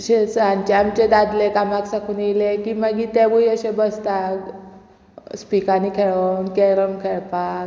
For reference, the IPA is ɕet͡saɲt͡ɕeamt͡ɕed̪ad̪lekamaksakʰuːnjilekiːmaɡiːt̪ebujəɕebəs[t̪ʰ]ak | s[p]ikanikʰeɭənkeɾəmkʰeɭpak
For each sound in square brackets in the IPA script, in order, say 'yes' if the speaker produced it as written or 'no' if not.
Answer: no, yes

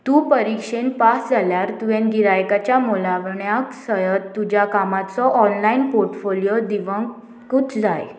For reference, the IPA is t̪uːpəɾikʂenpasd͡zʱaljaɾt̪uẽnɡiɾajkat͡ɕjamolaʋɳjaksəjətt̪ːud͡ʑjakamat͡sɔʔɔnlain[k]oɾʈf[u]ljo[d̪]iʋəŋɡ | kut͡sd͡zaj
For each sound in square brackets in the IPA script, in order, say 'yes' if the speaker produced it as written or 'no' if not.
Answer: no, no, yes

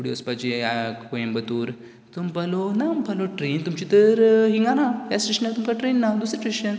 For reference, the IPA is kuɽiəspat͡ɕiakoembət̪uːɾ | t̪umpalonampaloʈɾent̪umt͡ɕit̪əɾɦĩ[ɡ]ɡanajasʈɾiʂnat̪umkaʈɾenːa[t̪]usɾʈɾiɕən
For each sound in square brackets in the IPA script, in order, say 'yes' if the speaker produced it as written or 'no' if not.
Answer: no, no

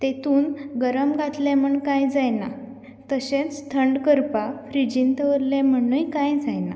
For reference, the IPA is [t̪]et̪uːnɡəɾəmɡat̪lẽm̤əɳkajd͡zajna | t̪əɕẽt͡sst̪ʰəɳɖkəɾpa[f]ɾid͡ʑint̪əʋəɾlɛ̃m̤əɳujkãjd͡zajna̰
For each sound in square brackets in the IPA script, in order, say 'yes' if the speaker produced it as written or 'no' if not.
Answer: yes, yes

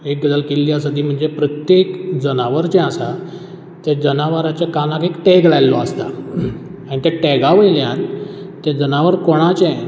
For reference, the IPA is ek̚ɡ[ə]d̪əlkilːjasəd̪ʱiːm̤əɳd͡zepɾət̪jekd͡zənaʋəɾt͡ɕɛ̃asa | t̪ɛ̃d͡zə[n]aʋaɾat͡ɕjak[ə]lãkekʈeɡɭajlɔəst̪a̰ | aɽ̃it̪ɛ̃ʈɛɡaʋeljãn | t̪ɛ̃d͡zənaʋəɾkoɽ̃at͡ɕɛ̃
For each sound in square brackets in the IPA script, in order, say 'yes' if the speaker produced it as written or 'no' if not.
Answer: yes, yes, no

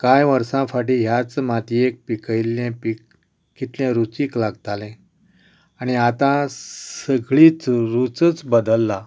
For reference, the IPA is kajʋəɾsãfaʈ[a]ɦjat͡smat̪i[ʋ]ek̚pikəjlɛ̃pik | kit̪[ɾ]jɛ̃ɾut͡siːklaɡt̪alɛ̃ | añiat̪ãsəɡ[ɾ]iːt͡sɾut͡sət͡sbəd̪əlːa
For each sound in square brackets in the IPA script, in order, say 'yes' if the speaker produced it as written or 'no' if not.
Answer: no, no, no, no

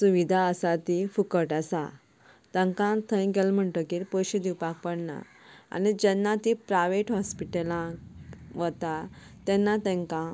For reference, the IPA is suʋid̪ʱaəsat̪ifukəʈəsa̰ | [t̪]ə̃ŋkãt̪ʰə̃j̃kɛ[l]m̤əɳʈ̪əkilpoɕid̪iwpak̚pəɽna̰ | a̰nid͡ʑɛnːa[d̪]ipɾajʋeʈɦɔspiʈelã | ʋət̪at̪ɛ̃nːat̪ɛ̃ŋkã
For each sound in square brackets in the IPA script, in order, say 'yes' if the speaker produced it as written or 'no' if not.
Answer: yes, yes, no

